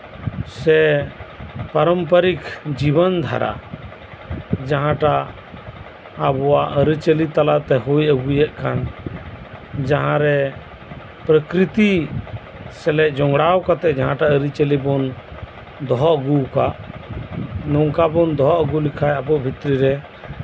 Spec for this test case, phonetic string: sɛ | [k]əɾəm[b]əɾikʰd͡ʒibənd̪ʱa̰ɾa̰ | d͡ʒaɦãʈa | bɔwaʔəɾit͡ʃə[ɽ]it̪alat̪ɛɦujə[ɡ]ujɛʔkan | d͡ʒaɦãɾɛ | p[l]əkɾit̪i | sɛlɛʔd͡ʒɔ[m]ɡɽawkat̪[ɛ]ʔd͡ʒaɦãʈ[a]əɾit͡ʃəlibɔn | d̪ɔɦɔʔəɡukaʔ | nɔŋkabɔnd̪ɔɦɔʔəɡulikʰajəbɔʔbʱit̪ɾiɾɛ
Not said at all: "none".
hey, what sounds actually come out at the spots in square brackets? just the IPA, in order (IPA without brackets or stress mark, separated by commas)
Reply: p, p, l, ɡ, ɾ, ŋ, ɛ, a